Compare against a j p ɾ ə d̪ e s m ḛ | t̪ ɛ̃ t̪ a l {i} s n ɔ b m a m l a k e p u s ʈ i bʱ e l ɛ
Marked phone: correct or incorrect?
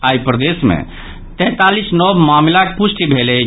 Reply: correct